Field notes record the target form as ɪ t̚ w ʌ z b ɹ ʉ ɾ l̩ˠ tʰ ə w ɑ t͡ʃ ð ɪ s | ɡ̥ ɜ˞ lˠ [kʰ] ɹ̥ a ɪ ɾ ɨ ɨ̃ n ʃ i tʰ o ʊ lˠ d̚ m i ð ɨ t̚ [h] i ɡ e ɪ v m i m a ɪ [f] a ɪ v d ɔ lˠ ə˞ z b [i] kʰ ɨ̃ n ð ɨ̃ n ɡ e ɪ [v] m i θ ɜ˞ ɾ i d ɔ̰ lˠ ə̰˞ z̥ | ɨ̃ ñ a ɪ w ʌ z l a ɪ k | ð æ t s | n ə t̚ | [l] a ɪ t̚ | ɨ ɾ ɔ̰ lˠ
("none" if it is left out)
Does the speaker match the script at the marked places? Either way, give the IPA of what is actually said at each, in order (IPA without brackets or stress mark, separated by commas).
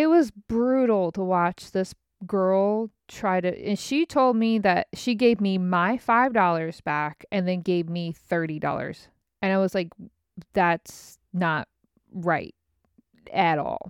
tʰ, ʃ, f, æ, v, ɹ